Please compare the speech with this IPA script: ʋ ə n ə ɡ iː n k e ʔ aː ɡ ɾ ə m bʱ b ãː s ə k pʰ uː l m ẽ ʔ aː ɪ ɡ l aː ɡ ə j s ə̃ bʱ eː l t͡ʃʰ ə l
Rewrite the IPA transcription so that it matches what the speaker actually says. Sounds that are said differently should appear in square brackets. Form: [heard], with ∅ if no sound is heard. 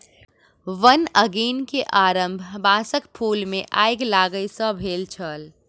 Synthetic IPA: ʋ ə n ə ɡ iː n k e ʔ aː [∅] ɾ ə m bʱ b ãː s ə k pʰ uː l m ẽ ʔ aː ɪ ɡ l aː ɡ ə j s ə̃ bʱ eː l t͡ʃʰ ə l